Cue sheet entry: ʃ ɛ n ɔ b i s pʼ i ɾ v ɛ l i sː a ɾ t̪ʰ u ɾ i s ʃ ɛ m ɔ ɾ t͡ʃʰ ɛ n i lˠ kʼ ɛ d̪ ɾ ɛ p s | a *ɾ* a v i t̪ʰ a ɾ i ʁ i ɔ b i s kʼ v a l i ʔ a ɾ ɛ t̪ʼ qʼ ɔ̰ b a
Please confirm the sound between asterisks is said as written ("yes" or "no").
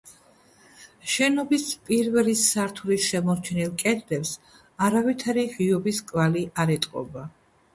yes